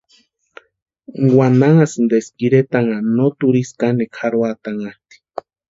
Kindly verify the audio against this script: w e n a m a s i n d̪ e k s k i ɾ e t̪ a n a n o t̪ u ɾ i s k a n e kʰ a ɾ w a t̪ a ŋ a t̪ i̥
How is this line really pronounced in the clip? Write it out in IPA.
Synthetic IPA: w a n a ŋ a s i n d̪ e s k i ɾ e t̪ a ŋ a n o t̪ u ɾ i s k a n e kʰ a ɾ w a t̪ a ŋ a t̪ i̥